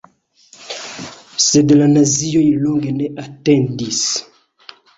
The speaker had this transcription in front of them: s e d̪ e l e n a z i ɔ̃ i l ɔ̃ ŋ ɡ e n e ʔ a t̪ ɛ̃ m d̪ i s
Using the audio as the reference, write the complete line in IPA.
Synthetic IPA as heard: s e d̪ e l a n a z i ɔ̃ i l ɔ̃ ŋ ɡ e n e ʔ a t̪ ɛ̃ n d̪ i s